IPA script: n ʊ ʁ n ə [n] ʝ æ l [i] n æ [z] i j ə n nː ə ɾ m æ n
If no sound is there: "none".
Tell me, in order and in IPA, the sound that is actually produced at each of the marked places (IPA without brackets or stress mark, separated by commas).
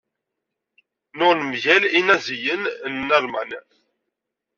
m, i, z